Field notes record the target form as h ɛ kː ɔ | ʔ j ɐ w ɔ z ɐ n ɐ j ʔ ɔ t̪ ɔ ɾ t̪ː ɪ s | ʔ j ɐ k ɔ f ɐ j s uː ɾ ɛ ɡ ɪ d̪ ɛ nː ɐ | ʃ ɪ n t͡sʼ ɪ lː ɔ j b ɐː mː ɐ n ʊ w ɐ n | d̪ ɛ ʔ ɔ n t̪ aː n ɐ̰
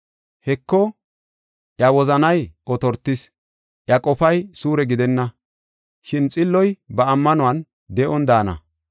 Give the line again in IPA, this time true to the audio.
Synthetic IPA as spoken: h ɛ kː ɔ | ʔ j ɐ w ɔ z ɐ n ɐ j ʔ ɔ t̪ ɔ ɾ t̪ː ɪ s | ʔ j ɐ kʼ ɔ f ɐ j s uː ɾ ɛ ɡ ɪ d̪ ɛ nː ɐ | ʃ ɪ n t͡sʼ ɪ lː ɔ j b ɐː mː ɐ n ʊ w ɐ n | d̪ ɛ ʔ ɔ n d̪ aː n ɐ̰